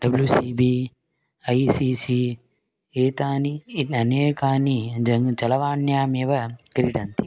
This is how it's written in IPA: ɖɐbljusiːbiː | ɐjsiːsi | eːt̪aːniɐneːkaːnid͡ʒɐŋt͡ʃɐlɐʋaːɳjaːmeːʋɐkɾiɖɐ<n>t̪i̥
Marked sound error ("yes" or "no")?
no